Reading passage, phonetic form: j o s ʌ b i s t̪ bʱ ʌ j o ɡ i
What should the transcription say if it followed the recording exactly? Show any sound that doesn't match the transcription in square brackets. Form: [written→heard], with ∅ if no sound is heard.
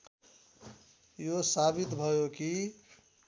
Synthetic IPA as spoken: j o s [ʌ→a] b i [s→∅] t̪ bʱ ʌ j o [ɡ→k] i